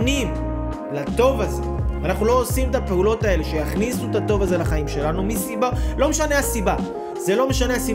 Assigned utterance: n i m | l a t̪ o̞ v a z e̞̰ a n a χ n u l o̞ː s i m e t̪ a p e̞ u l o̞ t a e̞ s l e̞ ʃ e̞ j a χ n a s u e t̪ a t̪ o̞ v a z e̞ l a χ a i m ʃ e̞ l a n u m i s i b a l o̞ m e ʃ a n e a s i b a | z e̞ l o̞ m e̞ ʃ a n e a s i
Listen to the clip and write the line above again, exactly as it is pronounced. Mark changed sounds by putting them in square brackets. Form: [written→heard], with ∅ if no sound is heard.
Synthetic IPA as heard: n i m | l a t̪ o̞ v a z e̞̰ a n a χ n u l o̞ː s i m e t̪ a p e̞ u l o̞ t a e̞ [s→∅] l e̞ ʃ e̞ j a χ n [a→i] s u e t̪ a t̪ o̞ v a z e̞ l a χ a i m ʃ e̞ l a n u m i s i b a l o̞ m e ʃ a n e a s i b a | z e̞ l o̞ m e̞ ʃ a n e a s i